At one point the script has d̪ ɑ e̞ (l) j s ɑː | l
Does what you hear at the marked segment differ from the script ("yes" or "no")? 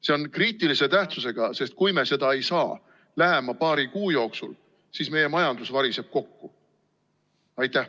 yes